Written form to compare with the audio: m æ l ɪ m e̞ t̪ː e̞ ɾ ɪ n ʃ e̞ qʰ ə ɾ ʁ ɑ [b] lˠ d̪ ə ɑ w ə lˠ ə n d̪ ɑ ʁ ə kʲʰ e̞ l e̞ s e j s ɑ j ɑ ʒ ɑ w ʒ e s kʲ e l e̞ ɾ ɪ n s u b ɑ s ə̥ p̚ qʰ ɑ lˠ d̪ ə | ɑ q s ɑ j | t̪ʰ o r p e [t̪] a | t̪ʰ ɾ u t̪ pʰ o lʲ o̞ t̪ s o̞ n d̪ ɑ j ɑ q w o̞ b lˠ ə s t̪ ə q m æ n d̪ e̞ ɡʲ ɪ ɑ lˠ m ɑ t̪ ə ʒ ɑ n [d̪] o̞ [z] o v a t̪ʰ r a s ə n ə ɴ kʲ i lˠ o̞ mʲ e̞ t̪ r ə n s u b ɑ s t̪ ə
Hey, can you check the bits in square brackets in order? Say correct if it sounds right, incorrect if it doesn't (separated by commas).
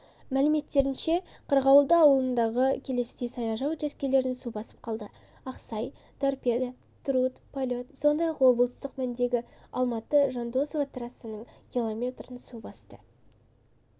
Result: incorrect, incorrect, correct, incorrect